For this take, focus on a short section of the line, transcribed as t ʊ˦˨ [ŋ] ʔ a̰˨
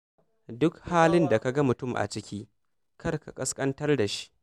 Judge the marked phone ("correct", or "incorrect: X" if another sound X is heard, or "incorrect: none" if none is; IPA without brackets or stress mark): incorrect: m